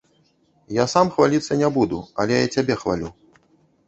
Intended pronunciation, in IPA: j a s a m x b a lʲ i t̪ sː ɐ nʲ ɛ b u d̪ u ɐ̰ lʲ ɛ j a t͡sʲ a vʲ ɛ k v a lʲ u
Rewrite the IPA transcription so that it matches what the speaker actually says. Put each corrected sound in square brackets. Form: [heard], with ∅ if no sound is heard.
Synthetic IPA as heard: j a s a m x [v] a lʲ i t̪ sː ɐ nʲ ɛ b u d̪ u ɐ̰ lʲ ɛ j a t͡sʲ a [bʲ] ɛ [x] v a lʲ u